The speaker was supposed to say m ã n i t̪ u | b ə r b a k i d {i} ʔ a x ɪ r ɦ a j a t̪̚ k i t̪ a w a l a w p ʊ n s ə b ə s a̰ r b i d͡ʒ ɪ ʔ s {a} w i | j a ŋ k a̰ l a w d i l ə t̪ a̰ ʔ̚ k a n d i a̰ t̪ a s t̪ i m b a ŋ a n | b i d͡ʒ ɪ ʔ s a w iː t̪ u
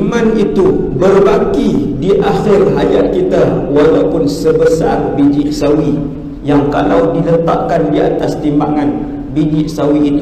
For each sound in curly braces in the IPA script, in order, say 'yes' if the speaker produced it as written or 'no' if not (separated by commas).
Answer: yes, yes